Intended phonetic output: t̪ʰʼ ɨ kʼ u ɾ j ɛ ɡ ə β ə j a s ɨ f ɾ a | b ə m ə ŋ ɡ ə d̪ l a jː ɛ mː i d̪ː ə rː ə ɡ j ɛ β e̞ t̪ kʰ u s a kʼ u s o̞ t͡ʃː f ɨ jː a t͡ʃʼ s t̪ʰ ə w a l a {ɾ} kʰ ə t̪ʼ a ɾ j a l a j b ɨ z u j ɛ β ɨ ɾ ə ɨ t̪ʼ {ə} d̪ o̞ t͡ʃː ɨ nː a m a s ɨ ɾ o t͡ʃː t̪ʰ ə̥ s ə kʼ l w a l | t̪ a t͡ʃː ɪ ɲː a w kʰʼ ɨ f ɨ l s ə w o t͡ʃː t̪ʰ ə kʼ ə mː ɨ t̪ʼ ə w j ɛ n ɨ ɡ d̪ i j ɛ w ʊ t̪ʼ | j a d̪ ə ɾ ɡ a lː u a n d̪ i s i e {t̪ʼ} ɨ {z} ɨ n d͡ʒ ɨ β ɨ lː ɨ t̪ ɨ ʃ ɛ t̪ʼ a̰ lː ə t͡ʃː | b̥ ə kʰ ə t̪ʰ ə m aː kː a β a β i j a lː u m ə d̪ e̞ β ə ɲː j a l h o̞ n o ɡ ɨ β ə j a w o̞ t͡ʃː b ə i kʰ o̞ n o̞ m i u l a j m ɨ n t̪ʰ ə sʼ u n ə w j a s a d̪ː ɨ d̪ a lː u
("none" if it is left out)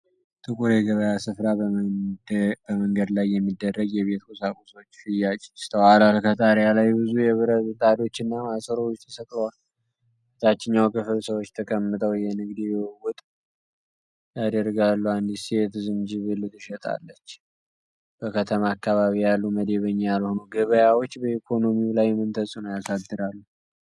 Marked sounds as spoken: l, a, t̪, z

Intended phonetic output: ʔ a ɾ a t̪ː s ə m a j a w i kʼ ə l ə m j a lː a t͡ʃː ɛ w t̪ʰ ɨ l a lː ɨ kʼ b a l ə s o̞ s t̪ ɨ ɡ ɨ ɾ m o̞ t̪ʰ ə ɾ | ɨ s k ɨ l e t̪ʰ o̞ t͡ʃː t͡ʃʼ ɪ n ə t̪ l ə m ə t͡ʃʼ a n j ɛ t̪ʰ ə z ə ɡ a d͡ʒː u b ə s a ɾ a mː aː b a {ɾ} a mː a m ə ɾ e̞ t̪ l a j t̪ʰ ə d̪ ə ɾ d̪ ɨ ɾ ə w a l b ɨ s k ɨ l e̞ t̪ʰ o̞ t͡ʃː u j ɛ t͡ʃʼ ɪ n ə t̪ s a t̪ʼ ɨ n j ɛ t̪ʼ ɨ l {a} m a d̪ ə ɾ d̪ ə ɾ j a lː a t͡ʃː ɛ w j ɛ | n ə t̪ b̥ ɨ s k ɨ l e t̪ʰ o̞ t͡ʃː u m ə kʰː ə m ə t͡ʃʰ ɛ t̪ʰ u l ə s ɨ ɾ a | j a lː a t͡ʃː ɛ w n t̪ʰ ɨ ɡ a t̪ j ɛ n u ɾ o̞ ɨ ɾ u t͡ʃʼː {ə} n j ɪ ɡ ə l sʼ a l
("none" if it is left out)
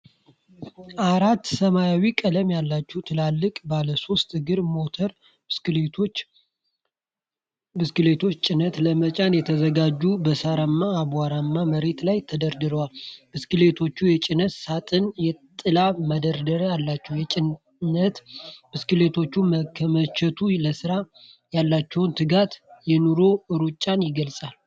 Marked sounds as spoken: ɾ, a, a

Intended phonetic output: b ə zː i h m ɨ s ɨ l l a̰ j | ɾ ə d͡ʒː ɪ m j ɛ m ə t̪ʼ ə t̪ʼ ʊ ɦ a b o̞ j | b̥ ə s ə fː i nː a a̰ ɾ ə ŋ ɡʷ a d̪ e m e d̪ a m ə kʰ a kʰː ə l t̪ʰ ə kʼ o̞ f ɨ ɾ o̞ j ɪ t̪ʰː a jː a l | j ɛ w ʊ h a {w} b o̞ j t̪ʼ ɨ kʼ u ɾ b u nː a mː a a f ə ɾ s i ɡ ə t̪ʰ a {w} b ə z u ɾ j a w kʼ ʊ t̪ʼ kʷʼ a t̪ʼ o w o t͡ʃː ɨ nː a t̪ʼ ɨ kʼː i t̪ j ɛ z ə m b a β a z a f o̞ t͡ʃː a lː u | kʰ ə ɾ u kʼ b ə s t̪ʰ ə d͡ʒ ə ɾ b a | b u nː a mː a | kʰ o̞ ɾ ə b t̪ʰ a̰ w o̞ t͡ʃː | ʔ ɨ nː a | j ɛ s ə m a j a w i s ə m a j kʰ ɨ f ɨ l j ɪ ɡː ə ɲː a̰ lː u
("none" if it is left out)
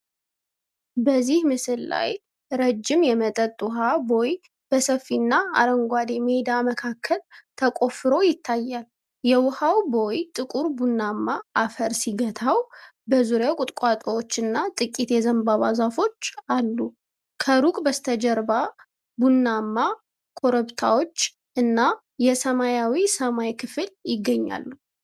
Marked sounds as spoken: w, w

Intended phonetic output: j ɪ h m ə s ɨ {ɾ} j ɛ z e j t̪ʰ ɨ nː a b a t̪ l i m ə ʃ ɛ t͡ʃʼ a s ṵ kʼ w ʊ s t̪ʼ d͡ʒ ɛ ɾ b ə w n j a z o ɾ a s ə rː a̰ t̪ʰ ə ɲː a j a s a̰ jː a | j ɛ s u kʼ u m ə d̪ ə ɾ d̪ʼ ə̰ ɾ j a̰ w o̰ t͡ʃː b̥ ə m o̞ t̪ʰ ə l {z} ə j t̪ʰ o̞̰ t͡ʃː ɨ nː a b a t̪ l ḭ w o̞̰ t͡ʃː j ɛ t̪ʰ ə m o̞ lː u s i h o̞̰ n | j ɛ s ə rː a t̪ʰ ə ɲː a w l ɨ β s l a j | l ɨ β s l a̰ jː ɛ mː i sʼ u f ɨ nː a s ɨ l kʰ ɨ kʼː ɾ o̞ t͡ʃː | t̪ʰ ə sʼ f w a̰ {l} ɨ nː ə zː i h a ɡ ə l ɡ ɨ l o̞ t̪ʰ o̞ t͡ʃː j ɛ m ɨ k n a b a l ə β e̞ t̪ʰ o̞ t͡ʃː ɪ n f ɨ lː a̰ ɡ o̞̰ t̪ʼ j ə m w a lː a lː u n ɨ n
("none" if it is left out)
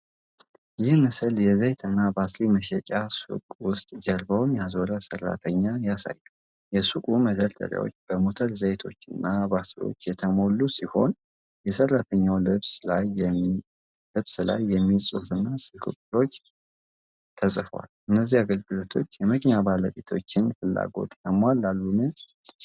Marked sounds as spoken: l, z, l

